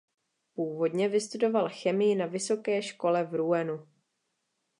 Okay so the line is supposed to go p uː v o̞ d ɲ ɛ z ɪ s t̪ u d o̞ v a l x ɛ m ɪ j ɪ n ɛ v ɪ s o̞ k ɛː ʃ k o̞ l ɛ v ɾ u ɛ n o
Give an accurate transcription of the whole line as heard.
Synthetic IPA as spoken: p uː v o̞ d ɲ ɛ v ɪ s t̪ u d o̞ v a l x ɛ m ɪ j ɪ n a v ɪ s o̞ k ɛː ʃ k o̞ l ɛ v ɾ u ɛ n u